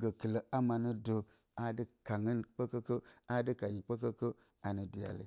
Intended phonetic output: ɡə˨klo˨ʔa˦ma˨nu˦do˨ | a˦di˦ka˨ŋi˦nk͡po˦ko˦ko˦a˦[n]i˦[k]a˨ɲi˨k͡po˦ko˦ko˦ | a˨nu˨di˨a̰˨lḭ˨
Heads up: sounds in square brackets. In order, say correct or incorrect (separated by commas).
incorrect, correct